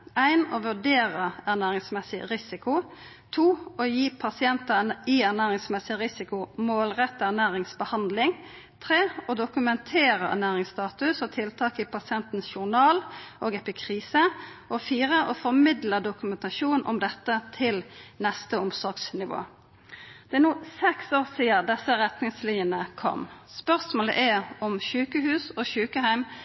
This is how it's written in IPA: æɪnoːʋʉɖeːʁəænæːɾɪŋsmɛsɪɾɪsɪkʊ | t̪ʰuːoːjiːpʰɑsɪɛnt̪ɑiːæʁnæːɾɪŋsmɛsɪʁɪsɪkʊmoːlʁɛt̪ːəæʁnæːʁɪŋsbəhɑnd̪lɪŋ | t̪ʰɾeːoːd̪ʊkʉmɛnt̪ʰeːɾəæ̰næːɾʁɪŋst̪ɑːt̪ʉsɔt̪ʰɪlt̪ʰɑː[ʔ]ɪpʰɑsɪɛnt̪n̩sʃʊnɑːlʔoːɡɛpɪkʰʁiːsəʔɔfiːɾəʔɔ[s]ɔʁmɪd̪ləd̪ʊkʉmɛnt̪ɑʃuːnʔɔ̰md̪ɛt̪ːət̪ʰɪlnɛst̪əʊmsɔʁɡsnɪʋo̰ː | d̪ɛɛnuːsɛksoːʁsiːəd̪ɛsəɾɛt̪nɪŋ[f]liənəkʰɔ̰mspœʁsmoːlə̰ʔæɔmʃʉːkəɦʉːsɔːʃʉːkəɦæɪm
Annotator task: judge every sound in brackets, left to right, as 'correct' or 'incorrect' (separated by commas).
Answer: incorrect, incorrect, incorrect